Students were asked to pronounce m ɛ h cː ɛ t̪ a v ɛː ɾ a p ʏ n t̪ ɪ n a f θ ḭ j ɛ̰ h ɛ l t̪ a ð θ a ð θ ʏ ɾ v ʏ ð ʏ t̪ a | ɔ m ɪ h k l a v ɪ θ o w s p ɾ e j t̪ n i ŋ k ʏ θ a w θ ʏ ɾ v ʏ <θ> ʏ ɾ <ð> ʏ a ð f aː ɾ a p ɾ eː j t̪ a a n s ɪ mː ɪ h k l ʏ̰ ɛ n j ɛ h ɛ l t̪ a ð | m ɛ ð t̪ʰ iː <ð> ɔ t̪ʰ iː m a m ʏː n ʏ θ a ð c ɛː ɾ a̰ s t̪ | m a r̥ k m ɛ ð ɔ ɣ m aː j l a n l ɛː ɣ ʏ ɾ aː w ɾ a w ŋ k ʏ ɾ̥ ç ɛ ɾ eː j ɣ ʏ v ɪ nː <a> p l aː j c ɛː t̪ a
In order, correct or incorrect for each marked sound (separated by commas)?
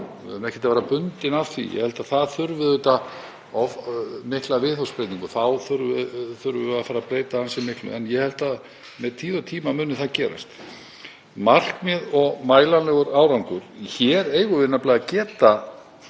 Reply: correct, incorrect, correct, correct